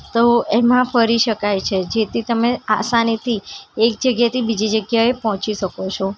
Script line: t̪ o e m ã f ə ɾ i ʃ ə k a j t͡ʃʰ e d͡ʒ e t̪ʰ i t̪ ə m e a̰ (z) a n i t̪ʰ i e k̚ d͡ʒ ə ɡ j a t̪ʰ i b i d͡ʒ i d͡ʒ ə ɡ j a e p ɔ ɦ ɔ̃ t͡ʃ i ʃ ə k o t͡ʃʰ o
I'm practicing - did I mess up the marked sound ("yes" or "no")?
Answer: yes